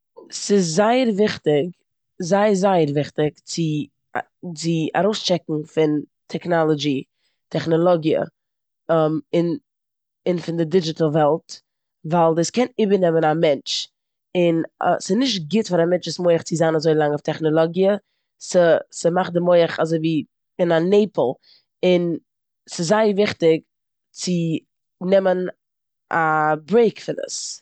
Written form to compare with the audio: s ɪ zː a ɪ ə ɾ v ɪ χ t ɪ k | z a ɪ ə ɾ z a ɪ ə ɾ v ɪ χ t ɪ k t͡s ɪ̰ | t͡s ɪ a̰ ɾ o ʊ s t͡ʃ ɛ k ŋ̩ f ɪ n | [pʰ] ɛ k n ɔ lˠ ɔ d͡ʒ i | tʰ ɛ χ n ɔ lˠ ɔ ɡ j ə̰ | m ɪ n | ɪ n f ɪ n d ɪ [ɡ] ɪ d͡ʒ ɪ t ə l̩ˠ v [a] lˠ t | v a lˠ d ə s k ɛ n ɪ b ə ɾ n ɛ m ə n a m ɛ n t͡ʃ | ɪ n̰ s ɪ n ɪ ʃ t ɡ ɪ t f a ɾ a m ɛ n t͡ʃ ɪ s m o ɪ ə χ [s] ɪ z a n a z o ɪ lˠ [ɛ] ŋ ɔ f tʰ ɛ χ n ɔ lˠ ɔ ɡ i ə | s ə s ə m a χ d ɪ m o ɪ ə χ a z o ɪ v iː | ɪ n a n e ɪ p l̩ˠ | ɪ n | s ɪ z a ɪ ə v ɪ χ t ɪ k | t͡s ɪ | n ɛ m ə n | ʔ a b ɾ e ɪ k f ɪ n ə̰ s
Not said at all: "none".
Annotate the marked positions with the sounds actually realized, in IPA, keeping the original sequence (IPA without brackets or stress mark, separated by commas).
tʰ, d, ɛ, t͡s, a